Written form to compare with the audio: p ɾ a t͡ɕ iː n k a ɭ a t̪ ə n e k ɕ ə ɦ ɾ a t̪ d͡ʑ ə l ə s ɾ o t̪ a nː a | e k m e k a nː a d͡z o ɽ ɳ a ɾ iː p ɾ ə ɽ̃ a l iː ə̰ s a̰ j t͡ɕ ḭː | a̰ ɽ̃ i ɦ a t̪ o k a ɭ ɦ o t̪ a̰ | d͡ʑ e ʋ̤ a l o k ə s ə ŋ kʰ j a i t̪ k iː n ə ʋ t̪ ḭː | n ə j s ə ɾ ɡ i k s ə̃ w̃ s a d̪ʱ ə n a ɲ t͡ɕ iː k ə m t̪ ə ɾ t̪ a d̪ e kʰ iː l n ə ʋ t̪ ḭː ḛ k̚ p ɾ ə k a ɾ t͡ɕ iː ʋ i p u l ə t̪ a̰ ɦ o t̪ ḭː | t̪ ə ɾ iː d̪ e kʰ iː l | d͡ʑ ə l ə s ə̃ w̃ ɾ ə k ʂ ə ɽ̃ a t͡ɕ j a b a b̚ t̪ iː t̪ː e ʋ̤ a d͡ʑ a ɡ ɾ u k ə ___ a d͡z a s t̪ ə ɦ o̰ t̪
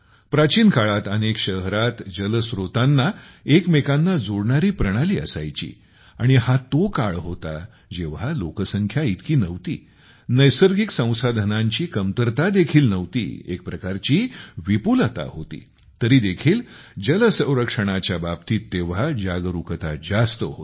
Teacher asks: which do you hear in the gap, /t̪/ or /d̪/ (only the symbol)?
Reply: t̪